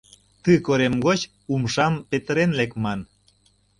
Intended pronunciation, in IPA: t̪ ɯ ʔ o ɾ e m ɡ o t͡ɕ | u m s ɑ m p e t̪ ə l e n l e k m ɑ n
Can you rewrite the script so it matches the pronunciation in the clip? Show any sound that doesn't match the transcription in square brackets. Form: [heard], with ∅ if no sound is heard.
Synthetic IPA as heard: t̪ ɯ [k] o ɾ e m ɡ o t͡ɕ | u m [ʃ] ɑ m p e t̪ ə [ɾ] e n l e k m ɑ n

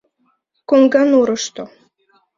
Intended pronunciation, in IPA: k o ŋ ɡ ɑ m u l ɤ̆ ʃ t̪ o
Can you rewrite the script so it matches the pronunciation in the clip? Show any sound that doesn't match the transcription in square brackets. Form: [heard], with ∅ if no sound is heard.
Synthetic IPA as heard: k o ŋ ɡ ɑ [n] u [ɾ] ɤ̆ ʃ t̪ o

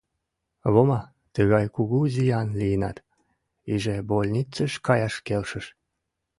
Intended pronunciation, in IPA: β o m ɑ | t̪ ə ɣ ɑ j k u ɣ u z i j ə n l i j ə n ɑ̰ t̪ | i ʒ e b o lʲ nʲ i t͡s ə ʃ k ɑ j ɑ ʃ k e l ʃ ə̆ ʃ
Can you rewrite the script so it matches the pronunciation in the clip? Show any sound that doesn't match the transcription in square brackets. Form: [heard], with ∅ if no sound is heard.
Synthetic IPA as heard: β o m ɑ | t̪ ə ɣ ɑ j k u ɣ u z i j [ɑ] n l i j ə n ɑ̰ t̪ | i ʒ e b o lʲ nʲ i t͡s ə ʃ k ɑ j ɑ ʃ k e l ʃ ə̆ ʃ

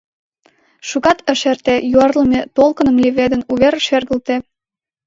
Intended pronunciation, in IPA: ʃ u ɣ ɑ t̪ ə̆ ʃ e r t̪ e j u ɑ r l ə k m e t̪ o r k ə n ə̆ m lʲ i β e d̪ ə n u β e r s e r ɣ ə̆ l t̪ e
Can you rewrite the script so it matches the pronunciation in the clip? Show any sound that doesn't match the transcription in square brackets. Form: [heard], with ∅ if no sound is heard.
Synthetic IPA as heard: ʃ u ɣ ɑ t̪ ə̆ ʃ e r t̪ e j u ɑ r l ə [∅] m e t̪ o [l] k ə n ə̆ m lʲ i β e d̪ ə n u β e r [ʃ] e r ɣ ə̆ l t̪ e

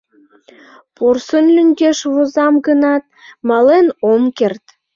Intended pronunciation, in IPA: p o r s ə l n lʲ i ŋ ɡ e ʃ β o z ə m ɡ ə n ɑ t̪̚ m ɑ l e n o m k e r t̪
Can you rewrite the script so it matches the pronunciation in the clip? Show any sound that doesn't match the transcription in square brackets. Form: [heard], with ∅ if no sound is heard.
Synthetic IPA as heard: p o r s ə [∅] n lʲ [y] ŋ ɡ e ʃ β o z [ɑ] m ɡ ə n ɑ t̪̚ m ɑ l e n o m k e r t̪

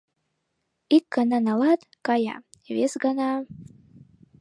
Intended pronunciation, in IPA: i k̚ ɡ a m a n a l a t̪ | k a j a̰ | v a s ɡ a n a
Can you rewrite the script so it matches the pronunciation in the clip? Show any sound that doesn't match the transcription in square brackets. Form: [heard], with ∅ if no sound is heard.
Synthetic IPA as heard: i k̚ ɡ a [n] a n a l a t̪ | k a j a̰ | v [e] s ɡ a n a

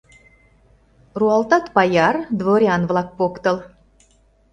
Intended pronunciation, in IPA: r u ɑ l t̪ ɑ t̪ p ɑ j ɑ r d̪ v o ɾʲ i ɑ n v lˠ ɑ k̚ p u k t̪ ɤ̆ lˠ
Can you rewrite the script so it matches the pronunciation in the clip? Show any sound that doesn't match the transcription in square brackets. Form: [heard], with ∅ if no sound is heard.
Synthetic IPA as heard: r u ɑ l t̪ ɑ t̪ p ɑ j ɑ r d̪ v o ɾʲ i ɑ n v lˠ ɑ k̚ p [o] k t̪ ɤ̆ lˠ

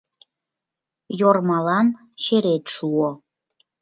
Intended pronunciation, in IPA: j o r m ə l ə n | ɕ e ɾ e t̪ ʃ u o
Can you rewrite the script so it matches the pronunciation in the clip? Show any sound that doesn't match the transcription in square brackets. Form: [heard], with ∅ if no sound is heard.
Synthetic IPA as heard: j o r m [ɑ] l [ɑ] n | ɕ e ɾ e t̪ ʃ u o

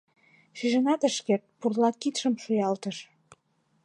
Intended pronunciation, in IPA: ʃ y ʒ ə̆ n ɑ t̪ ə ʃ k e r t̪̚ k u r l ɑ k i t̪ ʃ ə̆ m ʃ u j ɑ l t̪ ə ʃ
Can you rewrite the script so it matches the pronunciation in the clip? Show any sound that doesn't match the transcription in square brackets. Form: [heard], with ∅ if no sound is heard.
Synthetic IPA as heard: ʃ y ʒ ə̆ n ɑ t̪ ə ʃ k e r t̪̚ [p] u r l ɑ k i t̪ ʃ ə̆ m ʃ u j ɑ l t̪ ə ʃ

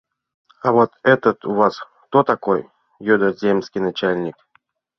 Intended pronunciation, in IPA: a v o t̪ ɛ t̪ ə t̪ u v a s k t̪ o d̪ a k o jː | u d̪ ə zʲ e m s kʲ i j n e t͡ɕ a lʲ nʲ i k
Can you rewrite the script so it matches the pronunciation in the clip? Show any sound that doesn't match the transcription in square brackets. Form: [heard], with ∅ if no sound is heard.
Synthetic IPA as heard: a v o t̪ ɛ t̪ ə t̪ u v a s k t̪ o [t̪] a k o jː | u d̪ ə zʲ e m s kʲ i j n [a] t͡ɕ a lʲ nʲ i k

